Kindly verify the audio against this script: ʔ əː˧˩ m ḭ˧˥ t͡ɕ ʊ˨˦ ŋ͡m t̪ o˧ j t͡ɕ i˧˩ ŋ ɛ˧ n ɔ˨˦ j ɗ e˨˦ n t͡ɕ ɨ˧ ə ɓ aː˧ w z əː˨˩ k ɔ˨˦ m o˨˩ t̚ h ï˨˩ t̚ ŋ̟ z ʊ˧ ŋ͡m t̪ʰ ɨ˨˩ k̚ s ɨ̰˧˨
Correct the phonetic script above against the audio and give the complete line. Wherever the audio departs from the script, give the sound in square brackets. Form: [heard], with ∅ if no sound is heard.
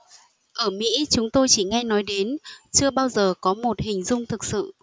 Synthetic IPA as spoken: ʔ əː˧˩ m ḭ˧˥ t͡ɕ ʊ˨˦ ŋ͡m t̪ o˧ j t͡ɕ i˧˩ ŋ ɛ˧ n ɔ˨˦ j ɗ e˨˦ n t͡ɕ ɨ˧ ə ɓ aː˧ w z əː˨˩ k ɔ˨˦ m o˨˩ t̚ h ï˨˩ [∅] ŋ̟ z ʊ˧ ŋ͡m t̪ʰ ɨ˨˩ k̚ s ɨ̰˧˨